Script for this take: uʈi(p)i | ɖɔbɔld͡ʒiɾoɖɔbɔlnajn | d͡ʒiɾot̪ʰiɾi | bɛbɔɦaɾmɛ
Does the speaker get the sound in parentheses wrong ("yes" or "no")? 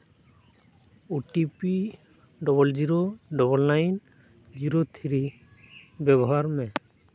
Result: no